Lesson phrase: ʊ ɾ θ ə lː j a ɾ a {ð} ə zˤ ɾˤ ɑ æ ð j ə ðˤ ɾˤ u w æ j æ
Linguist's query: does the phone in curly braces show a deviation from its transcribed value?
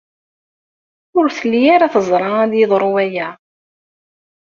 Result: yes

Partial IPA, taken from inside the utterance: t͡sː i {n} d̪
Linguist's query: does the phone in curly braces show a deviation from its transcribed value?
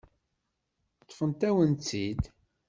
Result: yes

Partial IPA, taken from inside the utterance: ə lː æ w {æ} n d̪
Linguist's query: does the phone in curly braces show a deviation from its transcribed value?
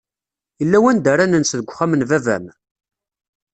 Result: no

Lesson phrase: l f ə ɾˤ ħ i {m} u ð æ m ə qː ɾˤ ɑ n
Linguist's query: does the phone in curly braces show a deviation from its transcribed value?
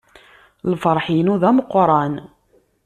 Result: yes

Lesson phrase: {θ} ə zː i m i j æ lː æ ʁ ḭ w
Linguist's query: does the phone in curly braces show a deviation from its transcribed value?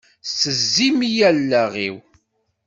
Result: yes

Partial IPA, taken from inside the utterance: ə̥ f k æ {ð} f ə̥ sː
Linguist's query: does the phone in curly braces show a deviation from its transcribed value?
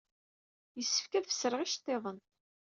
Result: no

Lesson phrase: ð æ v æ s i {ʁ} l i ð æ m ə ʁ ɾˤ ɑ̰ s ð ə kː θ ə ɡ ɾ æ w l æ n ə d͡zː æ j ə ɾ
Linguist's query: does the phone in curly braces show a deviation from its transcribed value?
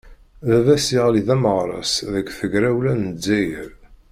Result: no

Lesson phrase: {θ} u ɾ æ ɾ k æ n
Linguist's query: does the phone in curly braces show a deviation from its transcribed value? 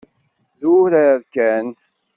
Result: yes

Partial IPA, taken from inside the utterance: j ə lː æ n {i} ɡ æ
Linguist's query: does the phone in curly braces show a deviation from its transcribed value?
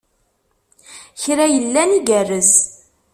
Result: no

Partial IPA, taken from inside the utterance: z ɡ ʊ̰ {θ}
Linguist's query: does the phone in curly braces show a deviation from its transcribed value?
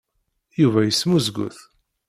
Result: no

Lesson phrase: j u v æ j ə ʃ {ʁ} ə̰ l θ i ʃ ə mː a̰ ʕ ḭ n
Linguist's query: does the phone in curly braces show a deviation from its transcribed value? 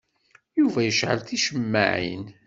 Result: yes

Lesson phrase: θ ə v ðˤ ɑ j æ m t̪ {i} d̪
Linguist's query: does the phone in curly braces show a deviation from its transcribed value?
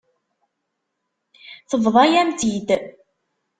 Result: no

